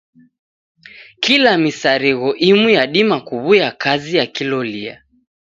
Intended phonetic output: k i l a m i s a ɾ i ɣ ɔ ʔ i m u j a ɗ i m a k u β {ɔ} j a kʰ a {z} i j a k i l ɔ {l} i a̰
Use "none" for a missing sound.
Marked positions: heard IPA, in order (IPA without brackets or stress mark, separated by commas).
u, z, l